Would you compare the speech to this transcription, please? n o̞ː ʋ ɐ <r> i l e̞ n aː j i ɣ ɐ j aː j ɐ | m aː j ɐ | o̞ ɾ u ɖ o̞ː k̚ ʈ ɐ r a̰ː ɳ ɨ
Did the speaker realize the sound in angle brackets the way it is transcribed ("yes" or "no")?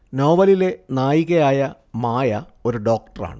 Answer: no